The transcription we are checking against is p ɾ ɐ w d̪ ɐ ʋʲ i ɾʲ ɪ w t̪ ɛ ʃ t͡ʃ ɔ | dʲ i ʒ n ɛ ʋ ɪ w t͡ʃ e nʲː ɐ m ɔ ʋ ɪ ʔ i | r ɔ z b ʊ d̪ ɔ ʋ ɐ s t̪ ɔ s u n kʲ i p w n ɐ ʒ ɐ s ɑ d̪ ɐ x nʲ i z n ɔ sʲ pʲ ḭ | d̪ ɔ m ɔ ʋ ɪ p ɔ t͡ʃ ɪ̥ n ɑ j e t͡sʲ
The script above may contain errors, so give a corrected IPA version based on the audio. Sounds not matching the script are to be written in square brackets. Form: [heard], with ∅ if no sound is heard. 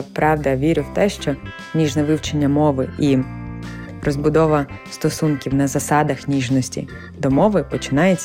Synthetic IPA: p ɾ [ɑ] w d̪ ɐ ʋʲ i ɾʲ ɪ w t̪ ɛ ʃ t͡ʃ ɔ | [nʲ] i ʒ n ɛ ʋ ɪ w t͡ʃ e nʲː ɐ m ɔ ʋ ɪ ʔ i | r ɔ z b ʊ d̪ ɔ ʋ ɐ s t̪ ɔ s u n kʲ i [∅] w n ɐ [z] ɐ s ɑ d̪ ɐ x nʲ i [ʒ] n ɔ sʲ [tʲ] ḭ | d̪ ɔ m ɔ ʋ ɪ p ɔ t͡ʃ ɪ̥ n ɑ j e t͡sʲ